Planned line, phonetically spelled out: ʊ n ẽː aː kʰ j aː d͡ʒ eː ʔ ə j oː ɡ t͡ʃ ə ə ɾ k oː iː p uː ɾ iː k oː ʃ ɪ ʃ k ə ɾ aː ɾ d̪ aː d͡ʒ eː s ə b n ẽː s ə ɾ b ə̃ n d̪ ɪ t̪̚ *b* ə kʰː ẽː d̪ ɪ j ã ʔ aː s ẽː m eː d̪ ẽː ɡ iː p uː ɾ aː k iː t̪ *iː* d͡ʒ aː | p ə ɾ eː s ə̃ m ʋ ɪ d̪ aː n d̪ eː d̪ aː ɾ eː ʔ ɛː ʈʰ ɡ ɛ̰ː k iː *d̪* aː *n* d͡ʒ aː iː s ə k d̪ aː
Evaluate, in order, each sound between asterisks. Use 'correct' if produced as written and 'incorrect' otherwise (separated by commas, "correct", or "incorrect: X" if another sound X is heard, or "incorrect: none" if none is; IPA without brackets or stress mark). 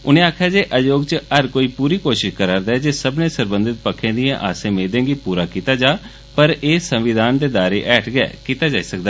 incorrect: p, incorrect: aː, incorrect: t̪, incorrect: none